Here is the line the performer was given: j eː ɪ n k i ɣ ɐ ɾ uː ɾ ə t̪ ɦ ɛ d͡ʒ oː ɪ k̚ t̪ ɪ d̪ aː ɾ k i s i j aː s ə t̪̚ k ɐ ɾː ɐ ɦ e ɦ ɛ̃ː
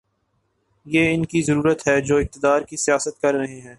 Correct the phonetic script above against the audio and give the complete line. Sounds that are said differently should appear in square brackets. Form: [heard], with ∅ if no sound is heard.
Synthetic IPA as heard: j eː ɪ n k i [z] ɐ ɾ uː ɾ ə t̪ ɦ ɛ d͡ʒ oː ɪ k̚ t̪ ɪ d̪ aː ɾ k i s i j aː s ə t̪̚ k ɐ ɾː ɐ ɦ e ɦ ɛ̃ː